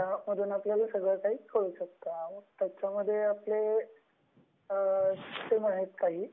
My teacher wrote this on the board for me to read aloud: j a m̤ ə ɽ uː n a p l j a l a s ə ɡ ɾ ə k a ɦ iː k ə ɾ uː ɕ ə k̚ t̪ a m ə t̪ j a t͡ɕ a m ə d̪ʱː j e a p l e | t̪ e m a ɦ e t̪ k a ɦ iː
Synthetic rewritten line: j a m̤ ə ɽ uː n a p l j a l a s ə ɡ ɭ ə k a ɦ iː k ə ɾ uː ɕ ə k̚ t̪ a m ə t̪ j a t͡ɕ a m ə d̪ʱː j e a p l e | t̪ e m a ɦ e t̪ k a ɦ iː